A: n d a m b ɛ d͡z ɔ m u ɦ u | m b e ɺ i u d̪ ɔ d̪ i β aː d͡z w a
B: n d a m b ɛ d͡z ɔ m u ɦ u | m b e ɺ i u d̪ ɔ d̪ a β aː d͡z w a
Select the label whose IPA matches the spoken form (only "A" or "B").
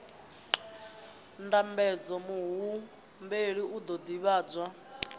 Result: A